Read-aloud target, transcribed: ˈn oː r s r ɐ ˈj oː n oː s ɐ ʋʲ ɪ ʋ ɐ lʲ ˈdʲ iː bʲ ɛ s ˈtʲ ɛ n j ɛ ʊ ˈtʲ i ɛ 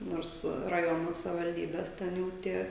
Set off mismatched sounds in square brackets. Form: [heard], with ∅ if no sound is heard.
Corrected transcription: ˈn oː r s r ɐ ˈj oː n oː s ɐ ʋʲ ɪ ʋ ɐ lʲ ˈdʲ iː bʲ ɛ s ˈtʲ ɛ n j ɛ ʊ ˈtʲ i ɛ